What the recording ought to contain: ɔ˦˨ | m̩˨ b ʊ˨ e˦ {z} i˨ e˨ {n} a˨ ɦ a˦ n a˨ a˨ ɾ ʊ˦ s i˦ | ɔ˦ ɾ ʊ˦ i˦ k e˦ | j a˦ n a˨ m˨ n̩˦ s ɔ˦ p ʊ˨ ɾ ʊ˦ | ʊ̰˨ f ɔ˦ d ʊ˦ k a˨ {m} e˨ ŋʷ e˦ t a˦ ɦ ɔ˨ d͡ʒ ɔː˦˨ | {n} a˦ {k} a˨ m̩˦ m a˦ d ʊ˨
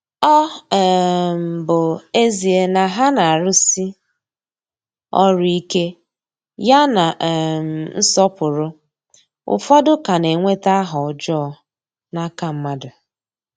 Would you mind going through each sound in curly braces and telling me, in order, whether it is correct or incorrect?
correct, correct, incorrect: n, correct, correct

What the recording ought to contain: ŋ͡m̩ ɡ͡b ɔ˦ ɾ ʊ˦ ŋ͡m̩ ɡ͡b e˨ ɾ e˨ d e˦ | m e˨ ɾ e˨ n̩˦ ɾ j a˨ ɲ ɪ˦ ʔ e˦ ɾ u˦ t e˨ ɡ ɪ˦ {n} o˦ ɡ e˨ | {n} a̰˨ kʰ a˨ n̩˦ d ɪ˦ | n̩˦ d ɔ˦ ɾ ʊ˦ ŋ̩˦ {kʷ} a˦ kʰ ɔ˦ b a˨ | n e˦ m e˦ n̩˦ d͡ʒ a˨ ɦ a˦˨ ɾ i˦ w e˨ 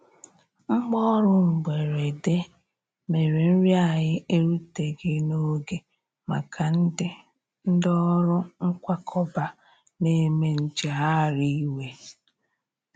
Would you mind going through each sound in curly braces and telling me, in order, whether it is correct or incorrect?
correct, incorrect: m, correct

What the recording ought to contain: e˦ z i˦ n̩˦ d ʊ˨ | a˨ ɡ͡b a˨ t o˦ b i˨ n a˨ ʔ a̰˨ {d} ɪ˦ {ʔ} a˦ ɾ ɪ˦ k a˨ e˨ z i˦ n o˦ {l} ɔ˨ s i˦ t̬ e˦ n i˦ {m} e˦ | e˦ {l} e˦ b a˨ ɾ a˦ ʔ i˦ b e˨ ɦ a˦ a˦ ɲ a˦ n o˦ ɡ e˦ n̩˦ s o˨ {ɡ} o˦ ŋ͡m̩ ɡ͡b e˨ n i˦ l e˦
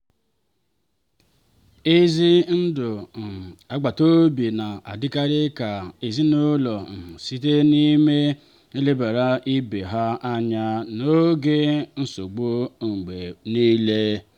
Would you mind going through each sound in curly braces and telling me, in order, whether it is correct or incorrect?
correct, incorrect: k, correct, correct, correct, incorrect: ɡ͡b

